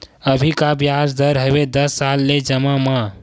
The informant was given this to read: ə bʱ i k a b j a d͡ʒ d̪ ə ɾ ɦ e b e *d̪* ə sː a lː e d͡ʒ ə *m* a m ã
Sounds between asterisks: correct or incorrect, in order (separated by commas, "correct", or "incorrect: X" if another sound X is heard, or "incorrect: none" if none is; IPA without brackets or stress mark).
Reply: correct, correct